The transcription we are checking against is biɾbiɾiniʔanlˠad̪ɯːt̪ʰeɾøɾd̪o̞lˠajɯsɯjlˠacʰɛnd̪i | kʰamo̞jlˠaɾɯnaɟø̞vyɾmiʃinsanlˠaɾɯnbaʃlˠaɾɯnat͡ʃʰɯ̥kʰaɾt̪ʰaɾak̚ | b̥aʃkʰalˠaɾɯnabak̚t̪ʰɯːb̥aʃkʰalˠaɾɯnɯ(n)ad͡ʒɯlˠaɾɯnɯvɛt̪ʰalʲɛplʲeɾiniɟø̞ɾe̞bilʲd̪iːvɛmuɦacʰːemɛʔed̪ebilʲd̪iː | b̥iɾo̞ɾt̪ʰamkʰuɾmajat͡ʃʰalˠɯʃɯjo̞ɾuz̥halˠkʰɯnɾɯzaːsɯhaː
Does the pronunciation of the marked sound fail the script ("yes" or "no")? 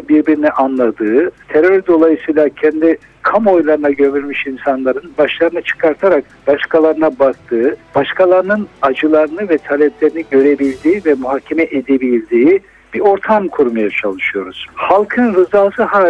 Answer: no